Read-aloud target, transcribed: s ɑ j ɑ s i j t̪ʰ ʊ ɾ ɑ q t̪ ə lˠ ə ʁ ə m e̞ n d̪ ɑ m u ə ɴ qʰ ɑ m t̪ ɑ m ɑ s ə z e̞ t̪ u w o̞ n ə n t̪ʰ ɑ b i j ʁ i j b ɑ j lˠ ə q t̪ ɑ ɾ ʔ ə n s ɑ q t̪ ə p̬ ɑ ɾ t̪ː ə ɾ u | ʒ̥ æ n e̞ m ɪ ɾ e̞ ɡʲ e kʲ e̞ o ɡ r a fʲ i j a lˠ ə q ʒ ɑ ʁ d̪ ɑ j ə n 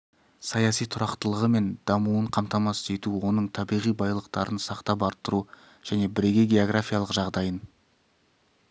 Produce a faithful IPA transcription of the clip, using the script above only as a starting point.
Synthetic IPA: s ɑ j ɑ s i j t̪ʰ ʊ ɾ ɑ q t̪ ə lˠ ə ʁ ə m e̞ n d̪ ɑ m u ə ɴ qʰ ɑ m t̪ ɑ m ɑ s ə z e̞ t̪ u w o̞ n ə ɴ t̪ʰ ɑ b i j ʁ i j b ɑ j lˠ ə q t̪ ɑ ɾ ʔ ə n s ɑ q t̪ ɑ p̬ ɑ ɾ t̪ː ə ɾ u | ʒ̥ æ n e̞ b ɪ ɾ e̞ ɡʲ e ɡʲ e̞ o ɡ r a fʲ i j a lˠ ə q ʒ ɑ ʁ d̪ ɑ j ə n